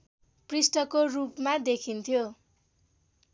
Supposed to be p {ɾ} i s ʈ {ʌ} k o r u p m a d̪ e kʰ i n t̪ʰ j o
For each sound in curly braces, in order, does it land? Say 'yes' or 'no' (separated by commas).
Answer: no, yes